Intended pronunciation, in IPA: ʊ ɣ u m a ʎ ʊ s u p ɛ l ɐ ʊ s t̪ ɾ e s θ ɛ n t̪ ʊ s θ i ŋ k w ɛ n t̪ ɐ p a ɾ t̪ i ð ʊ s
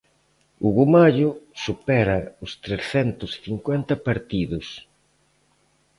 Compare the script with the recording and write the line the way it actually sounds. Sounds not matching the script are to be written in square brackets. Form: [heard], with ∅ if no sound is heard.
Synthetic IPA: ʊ ɣ u m a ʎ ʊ s u p ɛ [ɾ] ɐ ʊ s t̪ ɾ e s θ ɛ n t̪ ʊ s θ i ŋ k w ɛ n t̪ ɐ p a ɾ t̪ i ð ʊ s